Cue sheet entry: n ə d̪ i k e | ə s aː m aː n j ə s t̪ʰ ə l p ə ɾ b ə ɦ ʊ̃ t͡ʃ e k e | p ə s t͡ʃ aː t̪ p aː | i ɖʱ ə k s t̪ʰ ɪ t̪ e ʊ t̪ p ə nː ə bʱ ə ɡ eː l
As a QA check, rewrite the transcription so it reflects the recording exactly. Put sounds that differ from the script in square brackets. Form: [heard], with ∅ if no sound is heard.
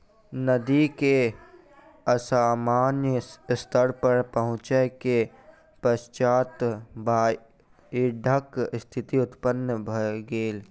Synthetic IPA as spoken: n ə d̪ i k e | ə s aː m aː n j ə s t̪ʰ ə [ɾ] p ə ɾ [p] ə ɦ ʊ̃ t͡ʃ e k e | p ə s t͡ʃ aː t̪ [b] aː | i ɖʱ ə k s t̪ʰ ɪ t̪ [i] ʊ t̪ p ə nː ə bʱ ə ɡ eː l